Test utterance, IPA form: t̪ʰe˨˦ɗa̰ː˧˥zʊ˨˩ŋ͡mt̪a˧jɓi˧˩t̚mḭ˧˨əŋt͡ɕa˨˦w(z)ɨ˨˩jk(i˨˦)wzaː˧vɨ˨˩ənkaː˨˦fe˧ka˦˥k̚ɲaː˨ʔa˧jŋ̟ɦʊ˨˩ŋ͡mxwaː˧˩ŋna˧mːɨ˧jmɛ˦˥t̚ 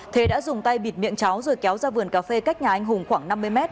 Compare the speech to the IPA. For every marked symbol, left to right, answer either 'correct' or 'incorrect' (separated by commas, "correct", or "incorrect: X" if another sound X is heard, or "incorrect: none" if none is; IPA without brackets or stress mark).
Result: correct, incorrect: ɛ˨˦